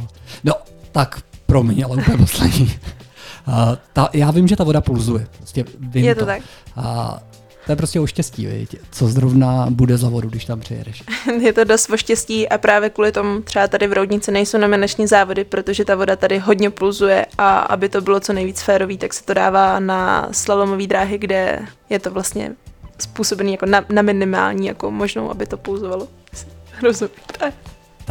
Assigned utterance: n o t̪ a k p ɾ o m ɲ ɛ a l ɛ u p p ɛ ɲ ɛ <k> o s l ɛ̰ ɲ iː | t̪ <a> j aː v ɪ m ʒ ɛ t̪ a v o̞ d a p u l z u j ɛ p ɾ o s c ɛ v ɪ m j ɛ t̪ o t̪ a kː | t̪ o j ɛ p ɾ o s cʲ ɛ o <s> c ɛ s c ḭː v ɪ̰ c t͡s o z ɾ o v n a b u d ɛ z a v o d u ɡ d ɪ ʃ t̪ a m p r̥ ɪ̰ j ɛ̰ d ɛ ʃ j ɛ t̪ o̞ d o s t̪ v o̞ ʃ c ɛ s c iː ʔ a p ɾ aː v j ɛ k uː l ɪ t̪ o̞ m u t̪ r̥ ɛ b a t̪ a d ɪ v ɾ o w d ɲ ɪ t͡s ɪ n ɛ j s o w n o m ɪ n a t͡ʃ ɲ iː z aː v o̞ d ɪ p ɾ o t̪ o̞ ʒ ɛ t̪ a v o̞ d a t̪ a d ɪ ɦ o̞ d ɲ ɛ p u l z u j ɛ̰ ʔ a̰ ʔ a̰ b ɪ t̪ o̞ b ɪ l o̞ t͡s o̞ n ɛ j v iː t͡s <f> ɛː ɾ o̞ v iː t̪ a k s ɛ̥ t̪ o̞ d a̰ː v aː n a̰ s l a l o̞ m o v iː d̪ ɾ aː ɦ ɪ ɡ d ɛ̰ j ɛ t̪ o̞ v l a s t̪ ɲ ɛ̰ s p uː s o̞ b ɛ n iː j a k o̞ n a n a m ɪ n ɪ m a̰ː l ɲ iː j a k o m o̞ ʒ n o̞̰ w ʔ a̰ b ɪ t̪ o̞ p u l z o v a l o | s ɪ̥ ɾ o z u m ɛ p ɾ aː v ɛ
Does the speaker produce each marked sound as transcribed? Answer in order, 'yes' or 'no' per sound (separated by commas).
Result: no, yes, no, yes